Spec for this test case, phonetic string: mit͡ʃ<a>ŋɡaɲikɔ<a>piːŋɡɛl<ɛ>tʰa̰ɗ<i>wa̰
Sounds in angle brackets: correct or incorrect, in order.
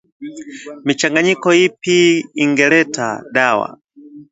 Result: correct, incorrect, correct, incorrect

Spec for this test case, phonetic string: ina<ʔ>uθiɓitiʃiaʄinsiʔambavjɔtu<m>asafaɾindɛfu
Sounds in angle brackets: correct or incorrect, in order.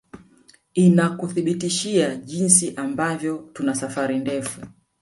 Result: incorrect, incorrect

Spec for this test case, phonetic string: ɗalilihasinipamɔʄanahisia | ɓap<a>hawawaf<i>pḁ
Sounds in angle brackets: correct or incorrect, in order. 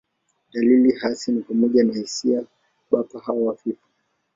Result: correct, correct

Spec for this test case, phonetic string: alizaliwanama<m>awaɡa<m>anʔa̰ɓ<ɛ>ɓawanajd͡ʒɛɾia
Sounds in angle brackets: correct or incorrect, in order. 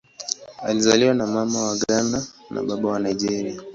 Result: correct, incorrect, incorrect

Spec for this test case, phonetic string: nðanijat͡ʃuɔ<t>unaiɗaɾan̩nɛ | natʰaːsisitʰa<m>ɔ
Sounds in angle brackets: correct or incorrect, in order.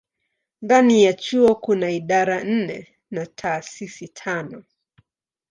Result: incorrect, incorrect

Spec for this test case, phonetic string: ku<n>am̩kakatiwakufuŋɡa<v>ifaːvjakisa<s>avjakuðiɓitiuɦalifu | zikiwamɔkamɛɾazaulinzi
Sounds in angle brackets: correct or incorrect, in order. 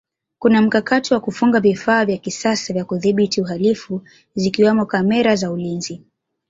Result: correct, correct, correct

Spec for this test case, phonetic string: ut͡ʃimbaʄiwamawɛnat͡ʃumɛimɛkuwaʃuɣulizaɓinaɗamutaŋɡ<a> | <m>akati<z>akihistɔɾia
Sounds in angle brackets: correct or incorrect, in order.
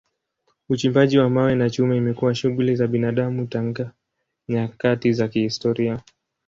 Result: correct, incorrect, correct

